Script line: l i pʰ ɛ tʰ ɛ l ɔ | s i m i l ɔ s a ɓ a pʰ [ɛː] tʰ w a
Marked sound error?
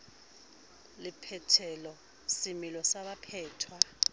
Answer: no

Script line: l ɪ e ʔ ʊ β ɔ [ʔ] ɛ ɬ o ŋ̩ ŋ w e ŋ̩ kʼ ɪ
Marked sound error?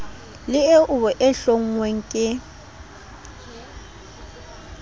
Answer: no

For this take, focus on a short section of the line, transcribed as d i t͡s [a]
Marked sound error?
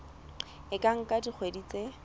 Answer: yes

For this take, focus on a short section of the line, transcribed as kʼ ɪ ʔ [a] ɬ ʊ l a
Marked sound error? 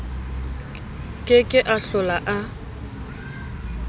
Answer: no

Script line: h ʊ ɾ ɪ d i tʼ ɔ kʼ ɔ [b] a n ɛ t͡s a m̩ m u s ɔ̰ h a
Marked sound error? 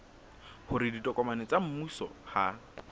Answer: yes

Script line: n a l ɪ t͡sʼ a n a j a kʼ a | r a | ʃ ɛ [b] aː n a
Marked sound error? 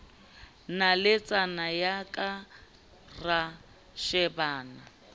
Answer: no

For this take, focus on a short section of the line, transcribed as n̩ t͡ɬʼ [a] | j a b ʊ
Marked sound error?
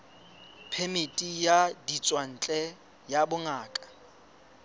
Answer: yes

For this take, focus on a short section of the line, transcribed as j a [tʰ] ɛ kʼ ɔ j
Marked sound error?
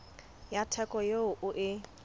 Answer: no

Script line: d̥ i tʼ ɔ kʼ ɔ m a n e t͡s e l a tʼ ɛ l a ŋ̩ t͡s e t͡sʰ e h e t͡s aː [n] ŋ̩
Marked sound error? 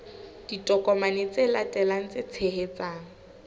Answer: yes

